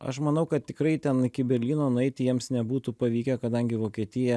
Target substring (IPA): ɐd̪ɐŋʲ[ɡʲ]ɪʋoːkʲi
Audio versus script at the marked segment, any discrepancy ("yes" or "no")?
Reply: no